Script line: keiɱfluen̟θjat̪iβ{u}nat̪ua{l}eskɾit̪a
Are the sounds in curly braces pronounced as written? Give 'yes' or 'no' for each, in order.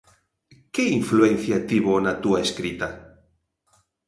no, no

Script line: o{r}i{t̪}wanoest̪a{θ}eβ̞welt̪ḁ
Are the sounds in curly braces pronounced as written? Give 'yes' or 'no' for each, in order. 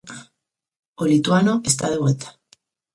no, yes, no

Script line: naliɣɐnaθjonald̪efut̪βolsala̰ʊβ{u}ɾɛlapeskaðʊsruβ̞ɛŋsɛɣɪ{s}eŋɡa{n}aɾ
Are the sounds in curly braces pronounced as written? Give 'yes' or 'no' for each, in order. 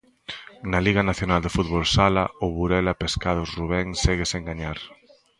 yes, yes, no

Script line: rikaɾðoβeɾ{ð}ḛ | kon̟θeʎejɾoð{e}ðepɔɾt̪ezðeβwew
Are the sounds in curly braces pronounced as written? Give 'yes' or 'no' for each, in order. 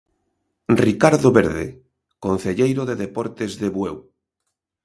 yes, yes

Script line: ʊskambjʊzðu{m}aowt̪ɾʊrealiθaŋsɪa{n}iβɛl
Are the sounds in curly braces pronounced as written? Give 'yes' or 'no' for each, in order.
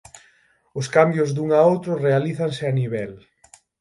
no, yes

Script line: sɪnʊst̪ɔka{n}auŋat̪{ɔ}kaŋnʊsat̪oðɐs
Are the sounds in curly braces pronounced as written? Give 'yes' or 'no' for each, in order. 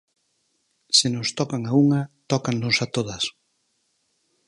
no, yes

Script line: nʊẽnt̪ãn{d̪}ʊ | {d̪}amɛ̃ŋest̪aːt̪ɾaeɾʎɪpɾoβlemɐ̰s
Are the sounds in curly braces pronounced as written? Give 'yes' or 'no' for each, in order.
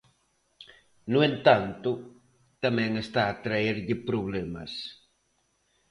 no, no

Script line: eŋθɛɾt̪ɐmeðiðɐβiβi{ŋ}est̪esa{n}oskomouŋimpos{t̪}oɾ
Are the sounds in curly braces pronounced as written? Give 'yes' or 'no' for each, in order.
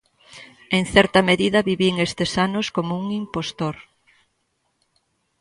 yes, yes, yes

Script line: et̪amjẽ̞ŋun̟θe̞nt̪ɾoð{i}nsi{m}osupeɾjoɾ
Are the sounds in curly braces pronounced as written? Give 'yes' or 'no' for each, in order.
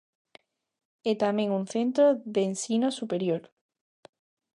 no, no

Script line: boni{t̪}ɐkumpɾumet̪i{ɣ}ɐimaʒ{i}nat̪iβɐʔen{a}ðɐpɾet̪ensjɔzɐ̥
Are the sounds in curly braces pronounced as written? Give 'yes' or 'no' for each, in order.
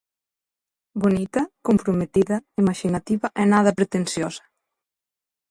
yes, no, yes, yes

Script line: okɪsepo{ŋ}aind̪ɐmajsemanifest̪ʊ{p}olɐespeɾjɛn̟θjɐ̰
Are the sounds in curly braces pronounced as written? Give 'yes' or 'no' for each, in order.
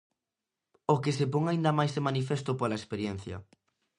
yes, yes

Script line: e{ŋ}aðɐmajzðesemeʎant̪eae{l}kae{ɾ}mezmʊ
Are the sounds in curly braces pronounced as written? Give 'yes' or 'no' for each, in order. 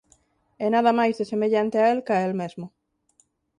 no, yes, no

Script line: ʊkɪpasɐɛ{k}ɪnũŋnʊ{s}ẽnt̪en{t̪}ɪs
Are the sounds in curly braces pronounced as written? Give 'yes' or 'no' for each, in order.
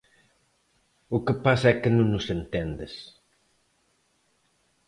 yes, yes, no

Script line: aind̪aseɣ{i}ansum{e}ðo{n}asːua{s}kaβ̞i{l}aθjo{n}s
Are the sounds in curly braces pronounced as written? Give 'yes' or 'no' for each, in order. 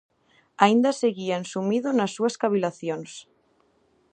yes, no, yes, yes, yes, yes

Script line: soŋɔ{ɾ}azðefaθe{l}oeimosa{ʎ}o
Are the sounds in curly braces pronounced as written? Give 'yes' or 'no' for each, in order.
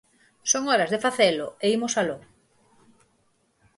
yes, yes, no

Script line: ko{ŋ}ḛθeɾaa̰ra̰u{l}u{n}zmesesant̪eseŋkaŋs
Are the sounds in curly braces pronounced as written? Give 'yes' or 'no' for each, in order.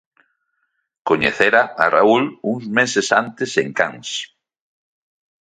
no, yes, no

